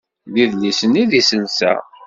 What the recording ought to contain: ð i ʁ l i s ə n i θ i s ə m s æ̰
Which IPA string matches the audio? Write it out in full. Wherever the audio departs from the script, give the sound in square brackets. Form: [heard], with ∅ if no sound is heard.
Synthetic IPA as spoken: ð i [ð] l i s ə n i [ð] i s ə [n] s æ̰